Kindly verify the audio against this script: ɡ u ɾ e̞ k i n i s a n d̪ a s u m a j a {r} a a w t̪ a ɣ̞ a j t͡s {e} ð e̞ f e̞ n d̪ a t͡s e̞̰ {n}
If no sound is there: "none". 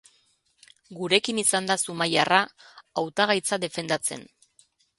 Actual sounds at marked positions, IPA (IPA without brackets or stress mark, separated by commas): r, a, n